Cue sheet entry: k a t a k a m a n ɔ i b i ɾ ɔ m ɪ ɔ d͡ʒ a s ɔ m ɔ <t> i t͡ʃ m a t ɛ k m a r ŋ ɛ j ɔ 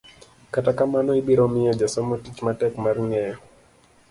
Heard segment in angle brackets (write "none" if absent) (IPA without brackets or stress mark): t